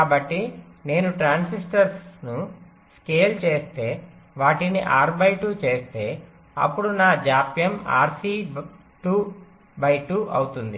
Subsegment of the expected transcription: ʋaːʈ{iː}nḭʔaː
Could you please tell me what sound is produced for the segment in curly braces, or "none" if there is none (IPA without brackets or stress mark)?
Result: i